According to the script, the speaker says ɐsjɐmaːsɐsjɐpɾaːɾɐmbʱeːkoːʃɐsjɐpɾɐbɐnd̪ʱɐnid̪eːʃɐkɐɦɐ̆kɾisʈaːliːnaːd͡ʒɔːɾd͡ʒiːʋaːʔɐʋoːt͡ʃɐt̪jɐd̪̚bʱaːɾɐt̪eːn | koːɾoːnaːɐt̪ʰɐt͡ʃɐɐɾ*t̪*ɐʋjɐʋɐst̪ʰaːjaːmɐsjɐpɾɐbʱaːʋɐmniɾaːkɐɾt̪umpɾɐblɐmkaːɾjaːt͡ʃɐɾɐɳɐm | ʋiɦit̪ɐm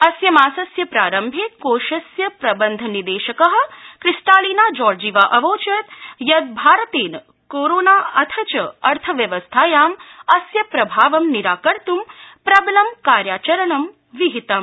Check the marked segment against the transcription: incorrect: t̪ʰ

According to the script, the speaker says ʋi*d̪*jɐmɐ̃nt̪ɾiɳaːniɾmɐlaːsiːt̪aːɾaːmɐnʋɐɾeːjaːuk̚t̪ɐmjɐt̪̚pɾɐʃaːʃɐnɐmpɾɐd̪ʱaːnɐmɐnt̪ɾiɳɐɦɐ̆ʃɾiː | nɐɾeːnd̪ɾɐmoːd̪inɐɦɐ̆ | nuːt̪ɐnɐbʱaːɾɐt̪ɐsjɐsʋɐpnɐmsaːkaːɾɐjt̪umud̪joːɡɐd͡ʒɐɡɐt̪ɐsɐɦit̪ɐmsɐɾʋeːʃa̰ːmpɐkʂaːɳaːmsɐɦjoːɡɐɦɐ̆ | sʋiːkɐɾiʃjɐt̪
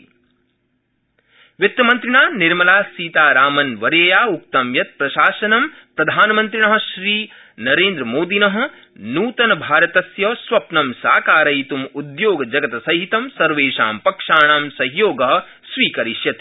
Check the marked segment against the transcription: incorrect: t̪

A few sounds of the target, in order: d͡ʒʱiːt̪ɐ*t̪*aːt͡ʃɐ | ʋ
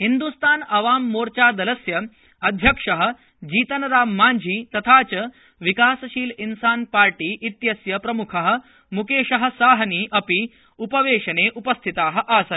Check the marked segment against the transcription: incorrect: t̪ʰ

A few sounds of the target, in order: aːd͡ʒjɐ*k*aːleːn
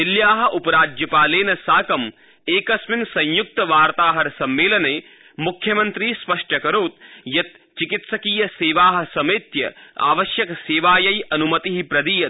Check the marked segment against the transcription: incorrect: p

